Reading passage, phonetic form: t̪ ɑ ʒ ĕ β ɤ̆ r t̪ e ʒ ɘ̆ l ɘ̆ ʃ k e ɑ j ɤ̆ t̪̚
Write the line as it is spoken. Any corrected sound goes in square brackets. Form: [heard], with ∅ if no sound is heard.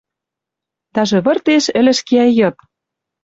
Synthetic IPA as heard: t̪ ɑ ʒ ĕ β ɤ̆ r t̪ e [ʃ] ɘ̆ l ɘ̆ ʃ k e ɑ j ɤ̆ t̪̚